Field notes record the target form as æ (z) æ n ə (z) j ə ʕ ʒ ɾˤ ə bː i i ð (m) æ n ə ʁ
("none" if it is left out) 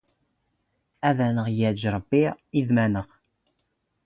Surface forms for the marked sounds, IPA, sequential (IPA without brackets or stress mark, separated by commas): ð, ʁ, m